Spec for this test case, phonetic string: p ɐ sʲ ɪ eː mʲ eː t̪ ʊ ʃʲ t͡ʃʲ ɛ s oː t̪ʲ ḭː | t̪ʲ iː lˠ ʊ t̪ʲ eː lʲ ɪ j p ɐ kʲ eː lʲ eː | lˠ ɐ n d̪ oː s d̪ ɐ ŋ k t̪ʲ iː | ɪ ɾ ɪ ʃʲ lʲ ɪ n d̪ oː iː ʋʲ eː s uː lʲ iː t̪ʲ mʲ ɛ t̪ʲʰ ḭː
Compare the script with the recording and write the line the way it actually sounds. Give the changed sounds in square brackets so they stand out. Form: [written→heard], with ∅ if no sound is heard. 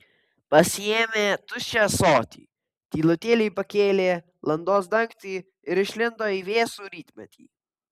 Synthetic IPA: p ɐ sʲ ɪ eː mʲ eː t̪ ʊ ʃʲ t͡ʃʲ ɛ s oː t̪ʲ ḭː | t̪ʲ iː lˠ ʊ t̪ʲ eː lʲ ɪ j p ɐ kʲ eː lʲ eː | lˠ ɐ n d̪ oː s d̪ ɐ ŋ k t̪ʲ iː | ɪ ɾ ɪ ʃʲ lʲ ɪ n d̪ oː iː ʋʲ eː s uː [lʲ→ɾʲ] iː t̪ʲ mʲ ɛ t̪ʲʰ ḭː